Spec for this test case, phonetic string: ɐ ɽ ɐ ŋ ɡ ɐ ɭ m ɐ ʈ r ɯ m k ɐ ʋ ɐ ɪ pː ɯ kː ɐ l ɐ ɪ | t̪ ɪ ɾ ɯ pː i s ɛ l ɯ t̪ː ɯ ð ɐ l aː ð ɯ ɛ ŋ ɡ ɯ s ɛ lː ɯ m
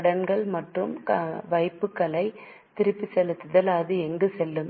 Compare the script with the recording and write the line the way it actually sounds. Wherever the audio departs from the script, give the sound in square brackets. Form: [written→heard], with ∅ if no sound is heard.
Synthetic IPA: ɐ ɽ ɐ [ŋ→n] ɡ ɐ ɭ m ɐ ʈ r ɯ m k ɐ ʋ ɐ ɪ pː ɯ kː ɐ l ɐ ɪ | t̪ ɪ ɾ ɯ pː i s ɛ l ɯ t̪ː ɯ ð ɐ l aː ð ɯ ɛ ŋ ɡ ɯ s ɛ lː ɯ m